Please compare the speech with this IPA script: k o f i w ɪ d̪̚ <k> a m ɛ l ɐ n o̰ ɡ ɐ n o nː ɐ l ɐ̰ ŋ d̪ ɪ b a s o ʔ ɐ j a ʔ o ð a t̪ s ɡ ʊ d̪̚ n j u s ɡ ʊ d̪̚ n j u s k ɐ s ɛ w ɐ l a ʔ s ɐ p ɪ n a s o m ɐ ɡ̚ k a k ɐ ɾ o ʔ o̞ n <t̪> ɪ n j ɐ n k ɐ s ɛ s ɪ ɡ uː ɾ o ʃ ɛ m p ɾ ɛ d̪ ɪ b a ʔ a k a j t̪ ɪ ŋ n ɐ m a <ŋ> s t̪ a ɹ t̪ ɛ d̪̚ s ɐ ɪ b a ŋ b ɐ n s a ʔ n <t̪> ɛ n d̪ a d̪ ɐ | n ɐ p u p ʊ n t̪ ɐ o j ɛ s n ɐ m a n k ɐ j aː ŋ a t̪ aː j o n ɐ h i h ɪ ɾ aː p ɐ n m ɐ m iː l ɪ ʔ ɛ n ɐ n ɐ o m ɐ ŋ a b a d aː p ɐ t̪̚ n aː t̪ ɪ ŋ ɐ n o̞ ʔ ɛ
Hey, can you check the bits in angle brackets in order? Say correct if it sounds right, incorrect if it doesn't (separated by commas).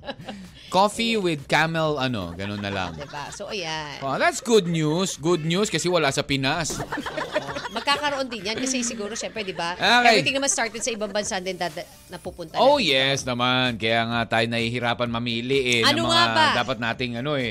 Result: correct, incorrect, incorrect, incorrect